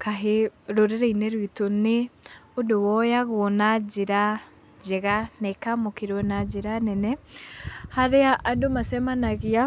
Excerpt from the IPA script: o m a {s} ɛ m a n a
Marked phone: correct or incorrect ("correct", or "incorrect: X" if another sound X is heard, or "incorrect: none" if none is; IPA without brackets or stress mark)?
correct